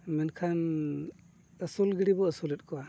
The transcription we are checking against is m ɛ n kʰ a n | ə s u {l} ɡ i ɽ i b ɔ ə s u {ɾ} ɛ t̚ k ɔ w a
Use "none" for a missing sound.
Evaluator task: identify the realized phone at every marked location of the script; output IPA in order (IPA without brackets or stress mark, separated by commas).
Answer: l, l